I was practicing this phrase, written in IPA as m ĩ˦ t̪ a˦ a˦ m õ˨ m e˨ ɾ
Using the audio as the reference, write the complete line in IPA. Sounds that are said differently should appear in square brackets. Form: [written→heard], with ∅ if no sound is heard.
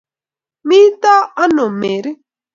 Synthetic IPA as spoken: m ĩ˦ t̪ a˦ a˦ [m→n] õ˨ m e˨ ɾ